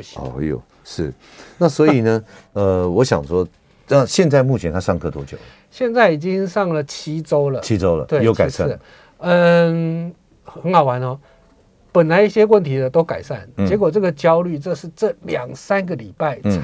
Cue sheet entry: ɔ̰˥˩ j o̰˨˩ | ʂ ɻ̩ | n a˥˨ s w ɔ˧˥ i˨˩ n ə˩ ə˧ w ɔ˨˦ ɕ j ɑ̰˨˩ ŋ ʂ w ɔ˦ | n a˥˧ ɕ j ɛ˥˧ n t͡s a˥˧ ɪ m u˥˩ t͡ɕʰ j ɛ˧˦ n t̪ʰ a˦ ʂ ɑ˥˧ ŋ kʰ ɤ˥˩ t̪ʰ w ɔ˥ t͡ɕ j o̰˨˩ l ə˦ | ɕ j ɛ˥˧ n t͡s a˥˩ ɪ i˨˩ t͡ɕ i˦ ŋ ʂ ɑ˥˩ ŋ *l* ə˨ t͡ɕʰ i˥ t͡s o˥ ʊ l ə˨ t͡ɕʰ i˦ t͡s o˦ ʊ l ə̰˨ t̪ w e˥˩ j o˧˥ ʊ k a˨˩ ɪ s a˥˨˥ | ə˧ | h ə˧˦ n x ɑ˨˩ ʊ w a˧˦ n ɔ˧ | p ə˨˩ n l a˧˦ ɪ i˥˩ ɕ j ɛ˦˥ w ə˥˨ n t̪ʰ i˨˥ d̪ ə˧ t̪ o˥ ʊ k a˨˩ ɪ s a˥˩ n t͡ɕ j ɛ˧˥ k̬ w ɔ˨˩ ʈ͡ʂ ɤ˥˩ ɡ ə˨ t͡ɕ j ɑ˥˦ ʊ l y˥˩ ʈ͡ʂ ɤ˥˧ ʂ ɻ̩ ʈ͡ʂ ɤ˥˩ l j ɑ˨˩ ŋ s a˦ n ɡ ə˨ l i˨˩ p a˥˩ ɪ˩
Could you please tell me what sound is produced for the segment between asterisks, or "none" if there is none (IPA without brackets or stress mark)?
l